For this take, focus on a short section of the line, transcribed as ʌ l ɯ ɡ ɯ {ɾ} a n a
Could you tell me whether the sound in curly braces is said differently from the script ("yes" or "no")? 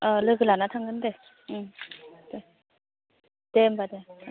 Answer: yes